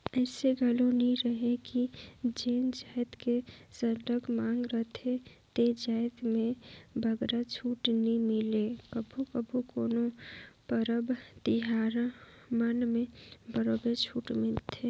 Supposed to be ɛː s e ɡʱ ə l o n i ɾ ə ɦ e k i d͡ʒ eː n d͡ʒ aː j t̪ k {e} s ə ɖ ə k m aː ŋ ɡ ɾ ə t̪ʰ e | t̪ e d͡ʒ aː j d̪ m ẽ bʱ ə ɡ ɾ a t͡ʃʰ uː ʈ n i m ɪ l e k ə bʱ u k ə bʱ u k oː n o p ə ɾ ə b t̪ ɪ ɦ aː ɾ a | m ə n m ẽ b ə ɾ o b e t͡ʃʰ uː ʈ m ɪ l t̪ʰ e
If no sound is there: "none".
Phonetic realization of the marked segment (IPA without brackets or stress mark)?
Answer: e